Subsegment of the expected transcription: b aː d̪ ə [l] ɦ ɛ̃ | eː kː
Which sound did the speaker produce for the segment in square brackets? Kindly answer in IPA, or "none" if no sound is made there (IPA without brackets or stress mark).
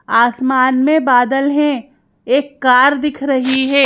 l